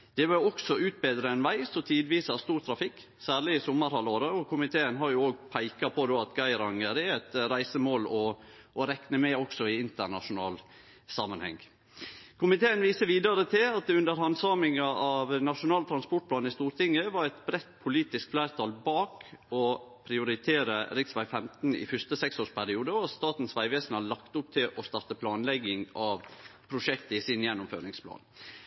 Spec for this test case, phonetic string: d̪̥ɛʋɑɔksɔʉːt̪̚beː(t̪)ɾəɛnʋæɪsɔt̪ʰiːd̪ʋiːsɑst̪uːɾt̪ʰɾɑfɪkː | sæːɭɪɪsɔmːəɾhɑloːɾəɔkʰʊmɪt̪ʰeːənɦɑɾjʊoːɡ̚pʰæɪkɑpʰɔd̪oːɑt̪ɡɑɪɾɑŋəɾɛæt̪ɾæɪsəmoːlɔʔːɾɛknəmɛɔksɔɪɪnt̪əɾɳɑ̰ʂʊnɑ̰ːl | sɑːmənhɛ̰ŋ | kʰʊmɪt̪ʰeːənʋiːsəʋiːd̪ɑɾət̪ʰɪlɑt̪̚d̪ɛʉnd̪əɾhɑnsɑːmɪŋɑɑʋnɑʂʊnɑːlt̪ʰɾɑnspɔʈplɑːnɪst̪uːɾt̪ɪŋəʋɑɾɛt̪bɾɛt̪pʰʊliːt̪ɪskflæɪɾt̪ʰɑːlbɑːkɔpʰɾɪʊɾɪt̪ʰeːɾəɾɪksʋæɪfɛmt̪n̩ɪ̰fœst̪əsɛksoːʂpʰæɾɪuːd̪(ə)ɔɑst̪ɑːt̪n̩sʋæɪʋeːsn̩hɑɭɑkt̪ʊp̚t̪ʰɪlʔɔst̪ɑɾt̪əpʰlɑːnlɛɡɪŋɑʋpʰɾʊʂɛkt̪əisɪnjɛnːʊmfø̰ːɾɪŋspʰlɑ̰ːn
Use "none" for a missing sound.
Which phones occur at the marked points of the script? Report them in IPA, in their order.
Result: d̪, ə

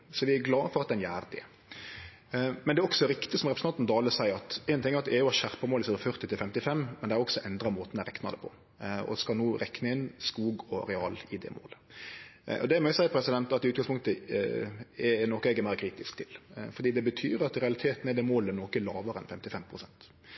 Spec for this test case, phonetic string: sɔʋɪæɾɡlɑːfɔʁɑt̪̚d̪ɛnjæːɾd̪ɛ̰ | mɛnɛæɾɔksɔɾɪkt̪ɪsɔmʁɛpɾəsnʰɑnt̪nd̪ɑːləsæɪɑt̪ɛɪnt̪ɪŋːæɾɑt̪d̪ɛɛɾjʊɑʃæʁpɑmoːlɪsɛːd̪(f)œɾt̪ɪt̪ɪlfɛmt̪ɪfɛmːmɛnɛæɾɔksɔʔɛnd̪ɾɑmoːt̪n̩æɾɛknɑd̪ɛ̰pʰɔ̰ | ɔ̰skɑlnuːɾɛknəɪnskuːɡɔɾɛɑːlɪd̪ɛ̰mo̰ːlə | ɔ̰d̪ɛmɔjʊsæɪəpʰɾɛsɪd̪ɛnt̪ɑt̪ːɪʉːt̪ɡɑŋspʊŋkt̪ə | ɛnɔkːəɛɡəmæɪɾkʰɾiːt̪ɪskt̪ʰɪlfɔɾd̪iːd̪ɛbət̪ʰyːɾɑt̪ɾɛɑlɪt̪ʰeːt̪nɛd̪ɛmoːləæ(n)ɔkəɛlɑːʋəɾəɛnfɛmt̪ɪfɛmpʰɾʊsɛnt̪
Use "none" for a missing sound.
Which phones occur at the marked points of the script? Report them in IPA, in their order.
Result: f, n

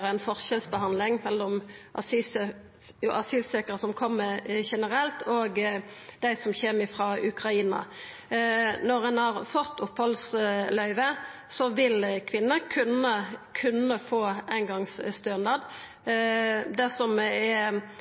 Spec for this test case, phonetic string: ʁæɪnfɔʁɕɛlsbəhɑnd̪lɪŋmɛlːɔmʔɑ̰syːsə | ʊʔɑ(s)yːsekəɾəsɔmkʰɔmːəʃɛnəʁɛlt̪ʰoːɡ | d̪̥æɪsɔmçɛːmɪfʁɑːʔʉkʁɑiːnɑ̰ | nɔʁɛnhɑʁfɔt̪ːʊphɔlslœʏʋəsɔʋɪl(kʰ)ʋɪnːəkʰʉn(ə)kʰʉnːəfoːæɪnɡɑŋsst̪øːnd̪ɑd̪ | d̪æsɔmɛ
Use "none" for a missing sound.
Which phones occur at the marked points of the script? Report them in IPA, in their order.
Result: s, kʰ, ə

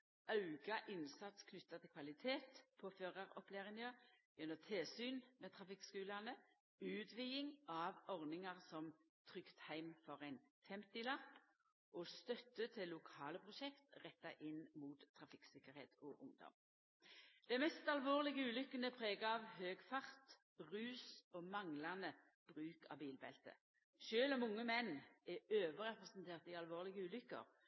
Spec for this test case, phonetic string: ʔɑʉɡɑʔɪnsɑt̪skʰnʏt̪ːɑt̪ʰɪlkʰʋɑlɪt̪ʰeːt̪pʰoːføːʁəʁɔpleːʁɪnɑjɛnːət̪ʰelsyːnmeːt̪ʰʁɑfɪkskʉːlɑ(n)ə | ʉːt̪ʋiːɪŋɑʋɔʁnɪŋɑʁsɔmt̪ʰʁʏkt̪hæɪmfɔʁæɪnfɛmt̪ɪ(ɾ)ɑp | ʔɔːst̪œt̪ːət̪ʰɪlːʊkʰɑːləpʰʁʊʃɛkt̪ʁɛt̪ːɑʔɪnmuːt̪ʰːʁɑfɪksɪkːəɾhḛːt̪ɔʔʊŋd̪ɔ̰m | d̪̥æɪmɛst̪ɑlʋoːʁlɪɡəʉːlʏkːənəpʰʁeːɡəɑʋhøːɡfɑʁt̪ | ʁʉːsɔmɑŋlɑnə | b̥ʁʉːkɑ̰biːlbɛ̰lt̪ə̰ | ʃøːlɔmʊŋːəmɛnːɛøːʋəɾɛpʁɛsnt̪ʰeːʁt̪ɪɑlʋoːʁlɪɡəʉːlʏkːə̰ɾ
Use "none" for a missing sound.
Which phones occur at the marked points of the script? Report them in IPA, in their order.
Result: n, l

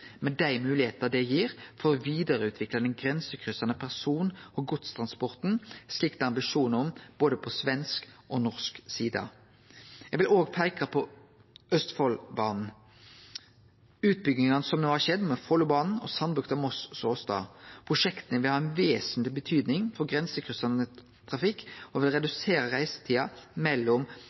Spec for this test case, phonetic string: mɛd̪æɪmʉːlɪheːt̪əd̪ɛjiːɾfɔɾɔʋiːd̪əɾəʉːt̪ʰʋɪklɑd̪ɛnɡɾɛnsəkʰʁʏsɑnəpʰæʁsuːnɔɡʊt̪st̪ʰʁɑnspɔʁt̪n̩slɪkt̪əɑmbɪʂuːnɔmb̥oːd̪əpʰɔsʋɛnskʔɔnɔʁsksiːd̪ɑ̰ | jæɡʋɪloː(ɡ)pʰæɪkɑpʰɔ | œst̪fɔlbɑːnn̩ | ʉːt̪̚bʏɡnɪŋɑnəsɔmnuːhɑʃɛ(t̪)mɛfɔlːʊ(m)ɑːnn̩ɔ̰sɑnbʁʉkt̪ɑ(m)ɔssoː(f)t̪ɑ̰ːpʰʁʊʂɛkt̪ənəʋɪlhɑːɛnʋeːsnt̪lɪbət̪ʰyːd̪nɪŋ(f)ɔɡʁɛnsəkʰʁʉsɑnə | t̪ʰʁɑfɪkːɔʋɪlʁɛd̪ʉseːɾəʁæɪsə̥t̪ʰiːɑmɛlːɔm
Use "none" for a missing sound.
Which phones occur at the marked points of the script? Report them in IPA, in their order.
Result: ɡ, d̪, b, m, s, f

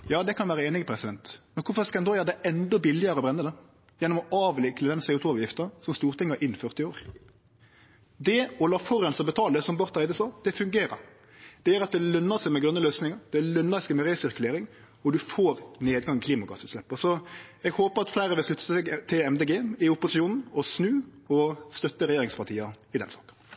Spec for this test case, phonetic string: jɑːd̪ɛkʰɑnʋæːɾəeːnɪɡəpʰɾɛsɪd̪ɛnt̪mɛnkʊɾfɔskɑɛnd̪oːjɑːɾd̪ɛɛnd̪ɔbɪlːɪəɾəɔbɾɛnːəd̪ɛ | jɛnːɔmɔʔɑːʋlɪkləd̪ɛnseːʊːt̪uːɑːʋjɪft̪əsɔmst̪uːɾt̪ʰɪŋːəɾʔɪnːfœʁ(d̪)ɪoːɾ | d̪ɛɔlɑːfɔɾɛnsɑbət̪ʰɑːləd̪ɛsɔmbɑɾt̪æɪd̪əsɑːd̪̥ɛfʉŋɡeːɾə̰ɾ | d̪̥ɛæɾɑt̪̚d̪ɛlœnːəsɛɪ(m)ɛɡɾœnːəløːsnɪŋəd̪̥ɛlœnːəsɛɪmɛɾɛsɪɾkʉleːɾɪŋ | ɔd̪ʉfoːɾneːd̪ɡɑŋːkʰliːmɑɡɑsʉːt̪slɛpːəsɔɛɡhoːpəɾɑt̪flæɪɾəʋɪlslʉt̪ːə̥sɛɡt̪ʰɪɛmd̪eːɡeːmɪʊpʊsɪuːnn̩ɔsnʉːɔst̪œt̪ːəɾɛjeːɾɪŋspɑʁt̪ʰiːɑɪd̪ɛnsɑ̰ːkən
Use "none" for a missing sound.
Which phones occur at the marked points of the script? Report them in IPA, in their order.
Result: t̪, m

